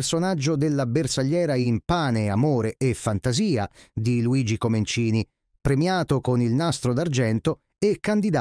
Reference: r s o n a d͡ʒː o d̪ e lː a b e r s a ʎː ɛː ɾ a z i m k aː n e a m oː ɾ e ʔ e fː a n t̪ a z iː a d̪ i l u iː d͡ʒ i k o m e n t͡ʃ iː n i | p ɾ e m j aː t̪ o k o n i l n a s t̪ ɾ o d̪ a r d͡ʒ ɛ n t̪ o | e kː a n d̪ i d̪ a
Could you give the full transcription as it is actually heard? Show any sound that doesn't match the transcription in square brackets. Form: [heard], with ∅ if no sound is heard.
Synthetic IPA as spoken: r s o n a d͡ʒː o d̪ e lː a b e r s a ʎː ɛː ɾ a [∅] i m [p] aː n e a m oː ɾ e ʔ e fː a n t̪ a z iː a d̪ i l u iː d͡ʒ i k o m e n t͡ʃ iː n i | p ɾ e m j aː t̪ o k o n i l n a s t̪ ɾ o d̪ a r d͡ʒ ɛ n t̪ o | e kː a n d̪ i d̪ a